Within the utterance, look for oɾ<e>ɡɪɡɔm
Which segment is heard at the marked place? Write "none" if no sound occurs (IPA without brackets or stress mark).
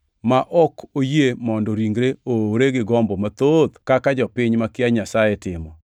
e